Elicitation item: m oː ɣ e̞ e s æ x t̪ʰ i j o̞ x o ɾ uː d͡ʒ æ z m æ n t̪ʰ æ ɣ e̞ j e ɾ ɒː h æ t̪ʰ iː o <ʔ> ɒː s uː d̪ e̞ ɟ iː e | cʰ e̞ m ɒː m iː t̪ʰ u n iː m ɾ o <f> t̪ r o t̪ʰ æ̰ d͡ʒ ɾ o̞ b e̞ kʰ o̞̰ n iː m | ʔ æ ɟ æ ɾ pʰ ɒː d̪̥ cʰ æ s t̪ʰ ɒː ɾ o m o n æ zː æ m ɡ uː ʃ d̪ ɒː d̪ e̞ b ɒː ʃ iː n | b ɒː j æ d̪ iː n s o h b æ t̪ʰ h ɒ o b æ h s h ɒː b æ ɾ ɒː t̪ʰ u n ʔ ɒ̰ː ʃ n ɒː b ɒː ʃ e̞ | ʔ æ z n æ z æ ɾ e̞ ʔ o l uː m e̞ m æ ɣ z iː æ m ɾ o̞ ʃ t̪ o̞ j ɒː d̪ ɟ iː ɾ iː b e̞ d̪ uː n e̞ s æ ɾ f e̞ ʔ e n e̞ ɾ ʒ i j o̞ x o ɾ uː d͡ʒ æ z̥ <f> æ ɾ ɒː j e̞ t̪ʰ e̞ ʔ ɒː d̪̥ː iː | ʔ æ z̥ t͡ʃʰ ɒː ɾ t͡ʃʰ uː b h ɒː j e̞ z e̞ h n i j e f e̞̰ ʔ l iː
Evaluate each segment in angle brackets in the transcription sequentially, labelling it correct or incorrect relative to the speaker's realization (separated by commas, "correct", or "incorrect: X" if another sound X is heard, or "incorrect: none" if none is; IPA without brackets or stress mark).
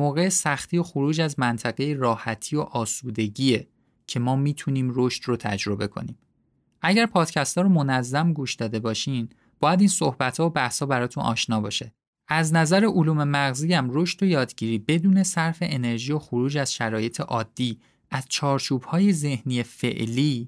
correct, incorrect: ʃ, incorrect: ʃ